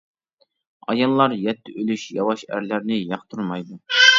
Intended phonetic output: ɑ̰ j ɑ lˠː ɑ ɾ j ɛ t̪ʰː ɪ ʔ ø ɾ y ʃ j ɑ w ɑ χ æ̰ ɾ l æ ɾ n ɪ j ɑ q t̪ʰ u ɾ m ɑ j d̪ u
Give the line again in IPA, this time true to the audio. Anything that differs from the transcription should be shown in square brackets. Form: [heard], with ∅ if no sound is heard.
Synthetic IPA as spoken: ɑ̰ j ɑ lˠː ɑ ɾ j ɛ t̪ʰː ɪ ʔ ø [l] y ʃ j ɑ w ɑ [ʃ] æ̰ ɾ l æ ɾ n ɪ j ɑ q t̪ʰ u ɾ m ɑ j d̪ u